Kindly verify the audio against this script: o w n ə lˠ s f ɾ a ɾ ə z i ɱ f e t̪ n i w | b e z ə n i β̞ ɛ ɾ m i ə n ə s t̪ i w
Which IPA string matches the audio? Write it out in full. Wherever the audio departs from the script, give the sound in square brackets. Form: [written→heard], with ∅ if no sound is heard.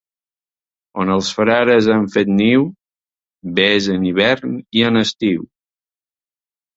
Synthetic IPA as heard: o [w→∅] n ə lˠ s f ɾ a ɾ ə z [i→a] ɱ f e t̪ n i w | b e z ə n i β̞ ɛ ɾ [m→n] i ə n ə s t̪ i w